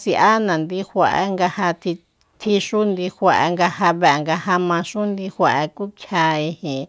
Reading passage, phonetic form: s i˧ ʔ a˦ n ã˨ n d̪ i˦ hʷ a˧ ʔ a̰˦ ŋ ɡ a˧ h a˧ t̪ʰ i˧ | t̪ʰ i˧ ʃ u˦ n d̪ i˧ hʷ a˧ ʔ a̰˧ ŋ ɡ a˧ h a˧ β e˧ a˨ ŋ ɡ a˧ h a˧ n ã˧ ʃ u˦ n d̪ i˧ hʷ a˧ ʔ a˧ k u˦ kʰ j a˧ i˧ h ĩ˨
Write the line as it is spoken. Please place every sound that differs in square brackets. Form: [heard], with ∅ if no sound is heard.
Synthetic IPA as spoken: s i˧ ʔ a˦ n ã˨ n d̪ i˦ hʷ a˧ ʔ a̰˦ ŋ ɡ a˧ h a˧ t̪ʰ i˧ | t̪ʰ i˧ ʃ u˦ n d̪ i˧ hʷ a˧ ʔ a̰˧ ŋ ɡ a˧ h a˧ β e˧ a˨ ŋ ɡ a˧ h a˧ [m] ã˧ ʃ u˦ n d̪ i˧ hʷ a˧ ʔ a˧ k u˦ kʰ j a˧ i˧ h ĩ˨